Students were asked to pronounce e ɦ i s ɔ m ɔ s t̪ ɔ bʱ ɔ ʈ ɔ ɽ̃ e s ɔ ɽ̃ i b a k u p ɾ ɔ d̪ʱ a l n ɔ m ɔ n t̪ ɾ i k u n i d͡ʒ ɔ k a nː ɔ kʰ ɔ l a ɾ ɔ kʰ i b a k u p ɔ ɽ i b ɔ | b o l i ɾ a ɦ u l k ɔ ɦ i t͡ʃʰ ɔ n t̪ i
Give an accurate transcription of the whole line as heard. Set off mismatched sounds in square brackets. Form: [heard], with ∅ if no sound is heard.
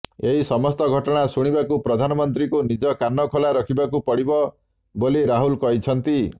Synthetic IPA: e ɦ i s ɔ m ɔ s t̪ ɔ [ɡʱ] ɔ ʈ ɔ ɽ̃ [a] s [u] ɽ̃ i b a k u p ɾ ɔ d̪ʱ a [∅] n ɔ m ɔ n t̪ ɾ i k u n i d͡ʒ ɔ k a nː ɔ kʰ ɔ l a ɾ ɔ kʰ i b a k u p ɔ ɽ i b ɔ | b o l i ɾ a ɦ u l k ɔ ɦ i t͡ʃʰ ɔ n t̪ i